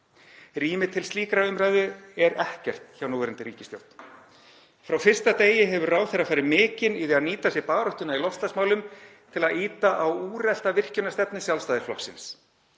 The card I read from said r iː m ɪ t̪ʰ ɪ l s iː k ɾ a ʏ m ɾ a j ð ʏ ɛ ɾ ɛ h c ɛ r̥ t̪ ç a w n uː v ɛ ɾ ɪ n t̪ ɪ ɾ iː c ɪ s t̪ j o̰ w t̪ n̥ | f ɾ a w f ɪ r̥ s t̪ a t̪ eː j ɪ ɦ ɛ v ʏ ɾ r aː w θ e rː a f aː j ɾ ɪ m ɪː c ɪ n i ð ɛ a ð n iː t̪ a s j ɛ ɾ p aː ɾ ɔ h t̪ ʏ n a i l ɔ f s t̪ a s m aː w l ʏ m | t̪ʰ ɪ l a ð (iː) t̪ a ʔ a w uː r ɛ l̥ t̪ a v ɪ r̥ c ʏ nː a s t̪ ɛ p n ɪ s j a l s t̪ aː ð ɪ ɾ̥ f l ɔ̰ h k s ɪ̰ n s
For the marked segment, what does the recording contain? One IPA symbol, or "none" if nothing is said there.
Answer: iː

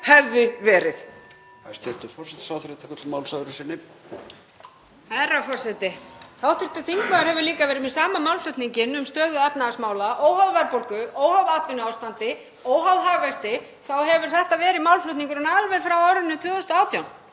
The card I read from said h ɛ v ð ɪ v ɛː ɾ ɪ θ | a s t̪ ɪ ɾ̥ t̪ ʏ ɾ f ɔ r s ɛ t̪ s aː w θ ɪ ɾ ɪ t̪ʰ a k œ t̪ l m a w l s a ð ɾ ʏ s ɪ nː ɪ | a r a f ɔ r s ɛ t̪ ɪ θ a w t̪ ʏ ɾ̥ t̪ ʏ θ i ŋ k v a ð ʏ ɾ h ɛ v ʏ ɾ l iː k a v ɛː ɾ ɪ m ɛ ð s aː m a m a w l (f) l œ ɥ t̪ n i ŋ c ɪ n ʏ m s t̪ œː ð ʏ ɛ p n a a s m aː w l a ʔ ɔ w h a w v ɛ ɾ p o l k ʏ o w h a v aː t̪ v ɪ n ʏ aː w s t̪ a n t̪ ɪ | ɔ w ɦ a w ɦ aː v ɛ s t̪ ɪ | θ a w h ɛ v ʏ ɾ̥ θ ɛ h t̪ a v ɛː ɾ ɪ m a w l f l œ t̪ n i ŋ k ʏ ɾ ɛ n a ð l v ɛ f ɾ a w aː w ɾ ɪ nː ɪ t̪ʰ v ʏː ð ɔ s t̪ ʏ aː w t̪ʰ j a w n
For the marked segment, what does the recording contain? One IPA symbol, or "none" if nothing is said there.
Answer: f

